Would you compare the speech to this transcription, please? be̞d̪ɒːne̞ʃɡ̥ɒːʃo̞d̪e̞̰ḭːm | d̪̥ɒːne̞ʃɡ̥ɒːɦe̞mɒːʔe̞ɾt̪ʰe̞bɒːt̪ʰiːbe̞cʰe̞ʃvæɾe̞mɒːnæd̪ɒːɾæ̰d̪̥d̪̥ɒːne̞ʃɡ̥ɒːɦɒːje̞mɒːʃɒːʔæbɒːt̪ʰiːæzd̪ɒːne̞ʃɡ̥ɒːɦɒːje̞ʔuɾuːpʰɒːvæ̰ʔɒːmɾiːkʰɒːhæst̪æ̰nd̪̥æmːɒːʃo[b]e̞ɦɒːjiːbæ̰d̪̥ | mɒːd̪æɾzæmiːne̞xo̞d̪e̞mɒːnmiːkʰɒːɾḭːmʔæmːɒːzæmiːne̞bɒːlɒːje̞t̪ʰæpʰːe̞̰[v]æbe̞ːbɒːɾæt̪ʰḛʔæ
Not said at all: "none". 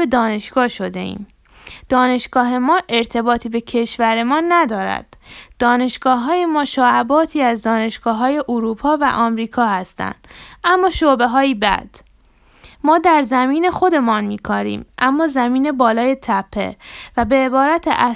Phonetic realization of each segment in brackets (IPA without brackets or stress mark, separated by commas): b, v